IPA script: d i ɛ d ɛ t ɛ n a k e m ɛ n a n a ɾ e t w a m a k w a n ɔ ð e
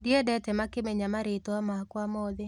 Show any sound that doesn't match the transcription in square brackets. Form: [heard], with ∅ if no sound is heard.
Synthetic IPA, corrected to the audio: d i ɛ d ɛ t ɛ [m] a k e m ɛ [ɲ] a [m] a ɾ e t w a m a k w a [m] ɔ ð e